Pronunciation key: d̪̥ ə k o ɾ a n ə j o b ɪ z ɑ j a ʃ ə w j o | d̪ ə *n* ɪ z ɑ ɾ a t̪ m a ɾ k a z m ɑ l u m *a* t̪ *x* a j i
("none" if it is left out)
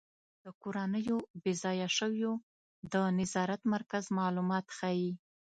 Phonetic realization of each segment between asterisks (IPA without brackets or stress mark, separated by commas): n, ɑ, x